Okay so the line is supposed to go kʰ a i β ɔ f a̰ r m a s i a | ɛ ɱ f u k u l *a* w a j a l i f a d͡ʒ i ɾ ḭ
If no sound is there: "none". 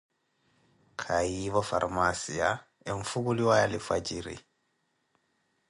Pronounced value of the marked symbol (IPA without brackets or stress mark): i